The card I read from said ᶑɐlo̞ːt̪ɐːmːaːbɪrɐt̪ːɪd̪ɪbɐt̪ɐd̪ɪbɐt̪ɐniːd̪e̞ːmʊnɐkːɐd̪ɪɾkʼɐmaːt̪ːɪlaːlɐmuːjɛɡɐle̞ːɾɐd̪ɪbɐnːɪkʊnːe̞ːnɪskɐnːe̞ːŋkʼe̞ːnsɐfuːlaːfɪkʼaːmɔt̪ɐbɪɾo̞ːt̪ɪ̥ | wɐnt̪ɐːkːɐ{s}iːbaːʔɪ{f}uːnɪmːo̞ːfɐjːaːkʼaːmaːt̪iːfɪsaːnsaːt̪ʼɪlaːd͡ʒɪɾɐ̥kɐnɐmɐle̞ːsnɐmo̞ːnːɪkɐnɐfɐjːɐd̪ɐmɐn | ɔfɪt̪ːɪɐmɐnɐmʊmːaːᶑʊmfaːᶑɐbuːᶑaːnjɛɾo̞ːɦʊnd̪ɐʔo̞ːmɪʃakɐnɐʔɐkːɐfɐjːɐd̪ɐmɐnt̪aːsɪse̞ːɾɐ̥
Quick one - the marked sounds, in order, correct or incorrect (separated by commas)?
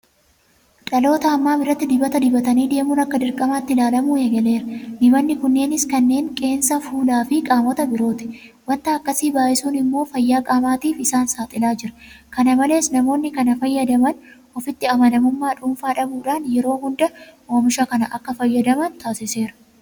correct, incorrect